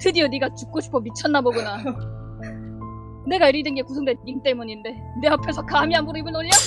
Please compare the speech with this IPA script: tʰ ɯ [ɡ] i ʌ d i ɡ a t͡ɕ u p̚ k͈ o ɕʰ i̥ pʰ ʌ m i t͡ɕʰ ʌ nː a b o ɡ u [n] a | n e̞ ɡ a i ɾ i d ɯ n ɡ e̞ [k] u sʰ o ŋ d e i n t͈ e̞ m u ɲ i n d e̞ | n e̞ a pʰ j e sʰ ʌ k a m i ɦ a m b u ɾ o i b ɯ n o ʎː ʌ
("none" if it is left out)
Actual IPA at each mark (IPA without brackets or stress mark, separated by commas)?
d, n, k